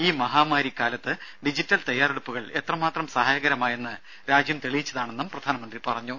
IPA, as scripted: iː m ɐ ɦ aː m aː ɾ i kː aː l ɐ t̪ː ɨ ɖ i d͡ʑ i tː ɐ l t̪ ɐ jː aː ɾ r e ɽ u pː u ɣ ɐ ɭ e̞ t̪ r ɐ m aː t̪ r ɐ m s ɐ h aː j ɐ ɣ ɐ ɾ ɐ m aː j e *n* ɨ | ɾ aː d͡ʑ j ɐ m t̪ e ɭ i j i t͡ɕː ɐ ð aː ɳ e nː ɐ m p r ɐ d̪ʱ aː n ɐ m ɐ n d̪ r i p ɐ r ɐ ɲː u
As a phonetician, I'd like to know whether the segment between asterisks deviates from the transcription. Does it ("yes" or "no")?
yes